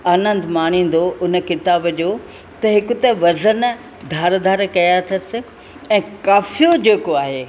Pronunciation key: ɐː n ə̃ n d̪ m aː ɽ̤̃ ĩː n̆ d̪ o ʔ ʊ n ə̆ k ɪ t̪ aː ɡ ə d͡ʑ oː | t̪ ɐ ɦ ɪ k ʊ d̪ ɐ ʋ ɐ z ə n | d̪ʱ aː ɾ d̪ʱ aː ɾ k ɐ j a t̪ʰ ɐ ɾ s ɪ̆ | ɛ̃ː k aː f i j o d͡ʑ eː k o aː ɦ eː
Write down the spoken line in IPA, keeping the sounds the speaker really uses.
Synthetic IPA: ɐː n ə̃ n d̪ m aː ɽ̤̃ ĩː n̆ d̪ o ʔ ʊ n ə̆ k ɪ t̪ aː b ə d͡ʑ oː | t̪ ɐ ɦ ɪ k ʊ t̪ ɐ ʋ ɐ z ə n | d̪ʱ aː ɾ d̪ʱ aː ɾ k ɐ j a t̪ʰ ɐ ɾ s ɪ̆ | ɛ̃ː k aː f i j o d͡ʑ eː k o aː ɦ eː